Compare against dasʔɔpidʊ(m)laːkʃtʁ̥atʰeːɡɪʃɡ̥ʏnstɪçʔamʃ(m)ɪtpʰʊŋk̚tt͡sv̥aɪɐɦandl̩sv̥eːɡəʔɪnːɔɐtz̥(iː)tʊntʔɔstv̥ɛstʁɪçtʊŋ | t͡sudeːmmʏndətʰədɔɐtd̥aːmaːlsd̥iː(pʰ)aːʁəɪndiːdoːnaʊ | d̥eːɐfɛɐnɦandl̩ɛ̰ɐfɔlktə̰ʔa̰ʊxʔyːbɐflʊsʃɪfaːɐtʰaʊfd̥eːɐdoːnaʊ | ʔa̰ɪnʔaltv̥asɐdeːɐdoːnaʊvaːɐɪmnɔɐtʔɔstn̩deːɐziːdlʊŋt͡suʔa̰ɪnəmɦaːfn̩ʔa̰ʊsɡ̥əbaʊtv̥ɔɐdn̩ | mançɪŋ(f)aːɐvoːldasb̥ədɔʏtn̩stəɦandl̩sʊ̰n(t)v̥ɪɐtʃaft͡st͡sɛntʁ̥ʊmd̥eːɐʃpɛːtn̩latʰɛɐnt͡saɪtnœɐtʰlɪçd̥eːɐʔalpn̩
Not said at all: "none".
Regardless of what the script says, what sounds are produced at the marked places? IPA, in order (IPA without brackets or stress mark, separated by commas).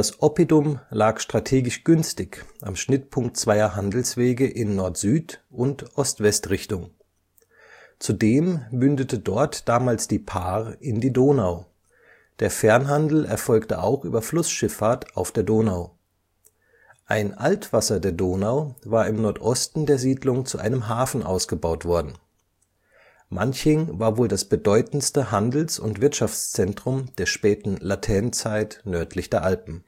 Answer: m, n, yː, pʰ, v, t